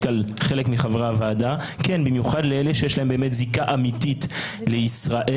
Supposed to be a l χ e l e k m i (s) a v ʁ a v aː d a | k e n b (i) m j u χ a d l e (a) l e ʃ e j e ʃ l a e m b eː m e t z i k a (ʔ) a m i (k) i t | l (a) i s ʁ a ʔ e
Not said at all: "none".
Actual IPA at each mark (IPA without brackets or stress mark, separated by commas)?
χ, i, e, ʔ, t, e